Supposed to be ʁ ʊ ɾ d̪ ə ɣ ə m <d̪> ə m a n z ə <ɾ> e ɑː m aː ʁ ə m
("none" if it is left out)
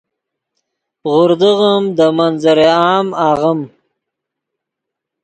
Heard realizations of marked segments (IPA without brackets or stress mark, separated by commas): d̪, ɾ